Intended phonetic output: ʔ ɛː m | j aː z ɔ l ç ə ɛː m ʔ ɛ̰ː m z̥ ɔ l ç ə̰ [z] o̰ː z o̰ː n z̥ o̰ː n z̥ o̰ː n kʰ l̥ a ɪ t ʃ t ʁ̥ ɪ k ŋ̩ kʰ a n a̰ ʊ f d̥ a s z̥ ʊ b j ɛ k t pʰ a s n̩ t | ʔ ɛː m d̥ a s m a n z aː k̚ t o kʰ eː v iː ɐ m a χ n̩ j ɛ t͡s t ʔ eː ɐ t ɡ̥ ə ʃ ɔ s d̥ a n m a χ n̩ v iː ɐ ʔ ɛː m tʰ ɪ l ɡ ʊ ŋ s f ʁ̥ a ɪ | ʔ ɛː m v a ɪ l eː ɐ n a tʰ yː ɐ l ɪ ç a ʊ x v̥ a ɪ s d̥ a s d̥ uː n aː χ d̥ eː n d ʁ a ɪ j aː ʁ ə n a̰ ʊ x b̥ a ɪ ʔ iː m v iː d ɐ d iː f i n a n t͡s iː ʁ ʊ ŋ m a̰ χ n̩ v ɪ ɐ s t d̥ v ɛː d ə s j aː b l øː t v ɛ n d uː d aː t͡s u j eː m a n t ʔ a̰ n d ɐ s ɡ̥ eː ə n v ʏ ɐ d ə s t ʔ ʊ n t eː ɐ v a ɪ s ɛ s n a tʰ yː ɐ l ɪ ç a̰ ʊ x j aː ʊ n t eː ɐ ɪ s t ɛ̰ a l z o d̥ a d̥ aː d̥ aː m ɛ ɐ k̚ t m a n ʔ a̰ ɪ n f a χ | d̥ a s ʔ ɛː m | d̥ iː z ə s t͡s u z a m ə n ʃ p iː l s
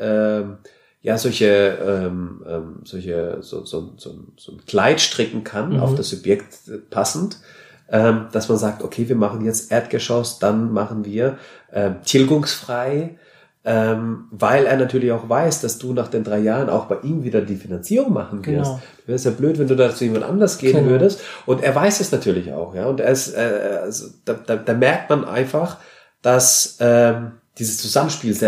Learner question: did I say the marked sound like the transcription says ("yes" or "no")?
yes